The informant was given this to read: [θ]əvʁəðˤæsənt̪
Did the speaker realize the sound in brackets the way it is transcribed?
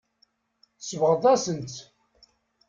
no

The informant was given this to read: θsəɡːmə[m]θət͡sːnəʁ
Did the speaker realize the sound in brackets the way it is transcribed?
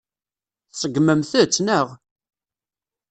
yes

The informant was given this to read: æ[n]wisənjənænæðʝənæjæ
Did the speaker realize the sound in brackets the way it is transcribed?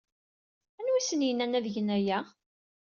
yes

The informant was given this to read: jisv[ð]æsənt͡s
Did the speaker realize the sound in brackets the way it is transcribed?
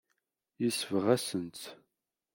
no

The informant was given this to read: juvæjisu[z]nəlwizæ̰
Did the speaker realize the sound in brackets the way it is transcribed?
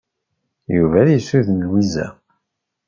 no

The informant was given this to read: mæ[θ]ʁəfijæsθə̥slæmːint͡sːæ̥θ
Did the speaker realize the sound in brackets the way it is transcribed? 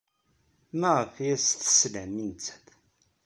no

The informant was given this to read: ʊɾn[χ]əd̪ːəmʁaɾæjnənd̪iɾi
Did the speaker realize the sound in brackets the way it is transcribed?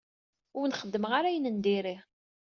yes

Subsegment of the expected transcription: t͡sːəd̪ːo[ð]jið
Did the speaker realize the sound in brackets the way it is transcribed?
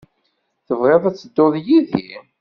yes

